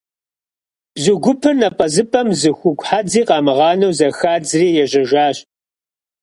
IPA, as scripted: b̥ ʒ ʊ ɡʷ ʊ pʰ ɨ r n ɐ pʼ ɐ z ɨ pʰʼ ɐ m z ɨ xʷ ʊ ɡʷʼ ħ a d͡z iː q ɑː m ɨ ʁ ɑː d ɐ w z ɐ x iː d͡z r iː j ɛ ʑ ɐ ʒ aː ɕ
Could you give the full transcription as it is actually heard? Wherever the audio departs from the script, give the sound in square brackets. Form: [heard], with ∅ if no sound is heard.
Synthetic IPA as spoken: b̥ [z] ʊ ɡʷ ʊ pʰ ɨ r n ɐ pʼ ɐ z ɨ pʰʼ ɐ m z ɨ xʷ ʊ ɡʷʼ ħ a d͡z iː q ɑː m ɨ ʁ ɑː [n] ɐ w z ɐ x [aː] d͡z r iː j ɛ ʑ ɐ ʒ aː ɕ